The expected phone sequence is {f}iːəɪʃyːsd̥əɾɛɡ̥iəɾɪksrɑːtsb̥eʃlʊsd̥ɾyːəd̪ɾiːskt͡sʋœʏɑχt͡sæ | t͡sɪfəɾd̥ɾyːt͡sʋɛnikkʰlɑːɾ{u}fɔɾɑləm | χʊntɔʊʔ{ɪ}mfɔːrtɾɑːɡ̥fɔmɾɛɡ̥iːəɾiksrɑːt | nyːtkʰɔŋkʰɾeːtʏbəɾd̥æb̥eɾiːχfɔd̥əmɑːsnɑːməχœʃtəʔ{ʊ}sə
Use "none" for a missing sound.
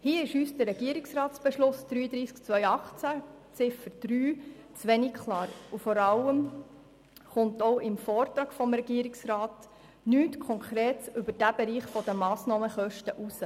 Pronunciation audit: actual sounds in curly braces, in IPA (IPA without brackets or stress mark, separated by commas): h, u, ɪ, u